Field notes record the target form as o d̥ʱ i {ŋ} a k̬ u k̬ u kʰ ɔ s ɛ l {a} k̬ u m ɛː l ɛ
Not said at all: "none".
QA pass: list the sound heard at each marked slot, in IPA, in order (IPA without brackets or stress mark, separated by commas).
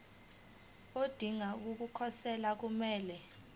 ŋ, a